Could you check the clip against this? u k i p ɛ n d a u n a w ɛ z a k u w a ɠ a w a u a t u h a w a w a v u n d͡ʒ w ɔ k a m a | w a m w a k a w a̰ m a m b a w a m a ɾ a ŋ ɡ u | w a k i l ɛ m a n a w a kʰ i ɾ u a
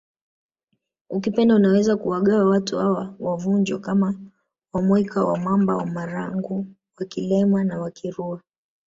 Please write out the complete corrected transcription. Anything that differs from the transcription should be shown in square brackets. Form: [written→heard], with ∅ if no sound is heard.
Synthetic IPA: u k i p ɛ n d a u n a w ɛ z a k u w a ɠ a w a [u→w] a t u h a w a w a v u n d͡ʒ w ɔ k a m a | w a m w [a→ɛ] k a w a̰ m a m b a w a m a ɾ a ŋ ɡ u | w a k i l ɛ m a n a w a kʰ i ɾ u a